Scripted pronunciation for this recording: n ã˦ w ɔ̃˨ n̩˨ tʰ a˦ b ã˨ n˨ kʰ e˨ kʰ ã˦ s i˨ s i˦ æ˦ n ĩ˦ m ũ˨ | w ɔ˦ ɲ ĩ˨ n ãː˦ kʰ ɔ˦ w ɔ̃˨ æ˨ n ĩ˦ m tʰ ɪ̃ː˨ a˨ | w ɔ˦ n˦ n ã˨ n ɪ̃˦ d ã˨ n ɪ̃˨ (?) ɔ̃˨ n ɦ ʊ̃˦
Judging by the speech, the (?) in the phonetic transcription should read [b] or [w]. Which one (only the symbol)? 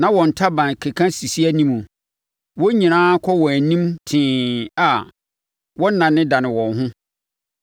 w